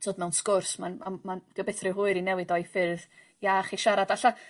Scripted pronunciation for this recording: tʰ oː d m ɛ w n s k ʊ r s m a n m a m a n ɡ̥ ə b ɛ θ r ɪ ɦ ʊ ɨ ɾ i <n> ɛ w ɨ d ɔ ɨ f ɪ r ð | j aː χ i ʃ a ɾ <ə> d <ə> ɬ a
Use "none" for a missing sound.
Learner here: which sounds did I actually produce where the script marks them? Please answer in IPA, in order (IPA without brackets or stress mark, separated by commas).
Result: n, a, a